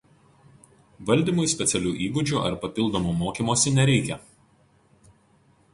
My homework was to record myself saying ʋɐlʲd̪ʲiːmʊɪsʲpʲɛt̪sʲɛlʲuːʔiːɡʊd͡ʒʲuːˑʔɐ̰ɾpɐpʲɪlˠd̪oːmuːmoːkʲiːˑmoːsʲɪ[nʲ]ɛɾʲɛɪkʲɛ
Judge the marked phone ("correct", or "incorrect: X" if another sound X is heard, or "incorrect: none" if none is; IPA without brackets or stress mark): correct